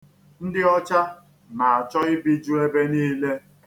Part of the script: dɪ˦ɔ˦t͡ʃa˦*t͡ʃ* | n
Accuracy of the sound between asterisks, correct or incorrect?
incorrect